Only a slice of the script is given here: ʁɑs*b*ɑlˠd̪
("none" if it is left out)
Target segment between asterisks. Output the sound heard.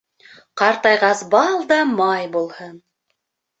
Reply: b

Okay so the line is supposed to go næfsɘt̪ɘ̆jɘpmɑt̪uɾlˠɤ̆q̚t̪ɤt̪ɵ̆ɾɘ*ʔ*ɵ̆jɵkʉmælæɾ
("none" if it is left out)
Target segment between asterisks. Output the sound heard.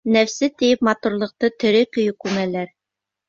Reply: k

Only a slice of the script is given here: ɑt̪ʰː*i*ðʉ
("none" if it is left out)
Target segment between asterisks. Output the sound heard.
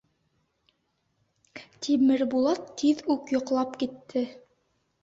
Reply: i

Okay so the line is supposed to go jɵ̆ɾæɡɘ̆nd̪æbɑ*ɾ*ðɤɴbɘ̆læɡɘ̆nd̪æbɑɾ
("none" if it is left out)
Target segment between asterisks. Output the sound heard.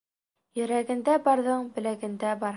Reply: ɾ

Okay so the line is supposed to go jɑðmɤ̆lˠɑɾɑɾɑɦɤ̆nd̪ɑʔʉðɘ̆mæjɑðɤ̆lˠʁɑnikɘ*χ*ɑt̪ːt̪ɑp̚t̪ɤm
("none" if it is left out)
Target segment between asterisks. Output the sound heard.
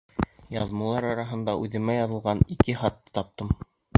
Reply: χ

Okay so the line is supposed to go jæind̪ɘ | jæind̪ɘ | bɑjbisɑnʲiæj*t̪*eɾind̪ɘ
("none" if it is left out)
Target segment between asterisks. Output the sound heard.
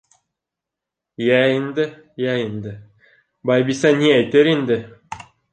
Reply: t̪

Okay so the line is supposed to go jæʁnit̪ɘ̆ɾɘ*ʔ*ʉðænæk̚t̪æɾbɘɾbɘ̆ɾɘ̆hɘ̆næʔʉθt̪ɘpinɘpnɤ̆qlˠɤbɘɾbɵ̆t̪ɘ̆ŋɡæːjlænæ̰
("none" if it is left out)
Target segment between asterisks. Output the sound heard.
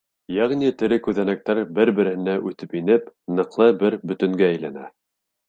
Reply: k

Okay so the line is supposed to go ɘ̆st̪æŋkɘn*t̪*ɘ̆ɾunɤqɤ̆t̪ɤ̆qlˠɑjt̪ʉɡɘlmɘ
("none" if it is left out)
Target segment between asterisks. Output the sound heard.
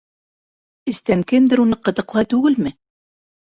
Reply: d̪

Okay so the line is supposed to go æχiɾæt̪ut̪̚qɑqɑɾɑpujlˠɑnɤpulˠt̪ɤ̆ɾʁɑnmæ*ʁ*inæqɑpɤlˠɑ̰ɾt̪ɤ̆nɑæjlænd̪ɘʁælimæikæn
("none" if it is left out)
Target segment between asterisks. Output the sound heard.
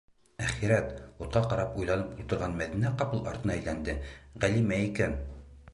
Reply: ð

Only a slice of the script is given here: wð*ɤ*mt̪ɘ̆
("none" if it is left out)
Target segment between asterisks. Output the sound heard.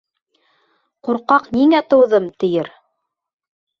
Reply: ɤ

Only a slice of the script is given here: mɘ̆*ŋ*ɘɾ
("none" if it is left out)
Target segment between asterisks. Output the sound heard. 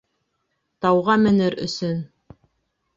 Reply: n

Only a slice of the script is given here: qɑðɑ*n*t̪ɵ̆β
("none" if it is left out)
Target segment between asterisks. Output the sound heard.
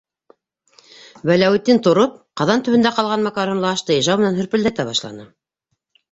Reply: n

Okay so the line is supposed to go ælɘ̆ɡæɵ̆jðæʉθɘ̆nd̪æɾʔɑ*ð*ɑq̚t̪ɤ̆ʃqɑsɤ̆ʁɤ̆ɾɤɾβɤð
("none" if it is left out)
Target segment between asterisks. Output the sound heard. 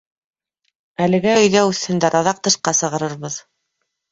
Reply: ð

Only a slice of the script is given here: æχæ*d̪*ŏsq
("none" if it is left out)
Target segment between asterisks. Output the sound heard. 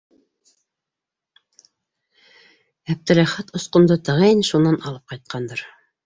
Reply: t̪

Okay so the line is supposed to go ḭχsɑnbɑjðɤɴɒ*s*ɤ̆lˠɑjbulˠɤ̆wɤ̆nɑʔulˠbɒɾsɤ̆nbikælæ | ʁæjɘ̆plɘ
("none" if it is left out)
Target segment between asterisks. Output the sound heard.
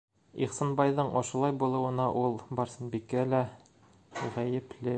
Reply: ʃ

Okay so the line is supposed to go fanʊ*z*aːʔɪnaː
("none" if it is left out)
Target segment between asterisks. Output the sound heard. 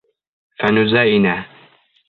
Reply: z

